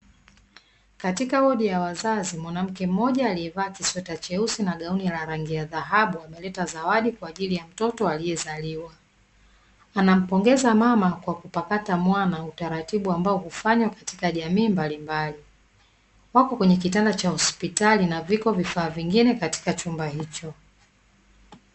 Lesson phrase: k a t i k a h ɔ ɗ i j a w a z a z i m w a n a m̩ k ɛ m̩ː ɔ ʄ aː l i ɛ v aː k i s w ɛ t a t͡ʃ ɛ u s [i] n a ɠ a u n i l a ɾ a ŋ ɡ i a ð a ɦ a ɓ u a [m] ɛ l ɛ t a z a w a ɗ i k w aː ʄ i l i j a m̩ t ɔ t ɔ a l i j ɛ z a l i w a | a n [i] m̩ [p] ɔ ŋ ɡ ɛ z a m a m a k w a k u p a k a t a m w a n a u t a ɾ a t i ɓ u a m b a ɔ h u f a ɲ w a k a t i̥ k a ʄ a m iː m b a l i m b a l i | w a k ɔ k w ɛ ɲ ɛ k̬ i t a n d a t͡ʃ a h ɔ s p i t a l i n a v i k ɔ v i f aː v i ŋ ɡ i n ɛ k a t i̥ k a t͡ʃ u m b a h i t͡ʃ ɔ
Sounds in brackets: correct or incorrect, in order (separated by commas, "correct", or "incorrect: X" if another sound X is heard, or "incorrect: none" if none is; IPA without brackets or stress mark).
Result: correct, correct, incorrect: a, correct